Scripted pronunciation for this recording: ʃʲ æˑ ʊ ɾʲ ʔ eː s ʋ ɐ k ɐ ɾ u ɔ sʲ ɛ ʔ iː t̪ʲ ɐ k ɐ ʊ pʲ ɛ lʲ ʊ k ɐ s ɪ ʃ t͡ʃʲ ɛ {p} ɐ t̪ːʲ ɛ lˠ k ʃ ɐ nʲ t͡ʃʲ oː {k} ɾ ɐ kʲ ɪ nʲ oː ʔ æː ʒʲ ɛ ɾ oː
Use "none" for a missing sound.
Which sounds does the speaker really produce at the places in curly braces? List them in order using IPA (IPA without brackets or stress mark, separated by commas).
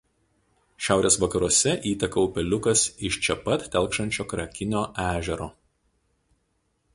p, k